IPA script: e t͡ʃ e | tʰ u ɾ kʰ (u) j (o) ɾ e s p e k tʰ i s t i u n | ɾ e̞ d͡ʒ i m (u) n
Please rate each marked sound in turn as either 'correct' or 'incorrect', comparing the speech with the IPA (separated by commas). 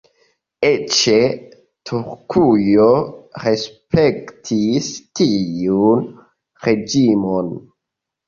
correct, correct, incorrect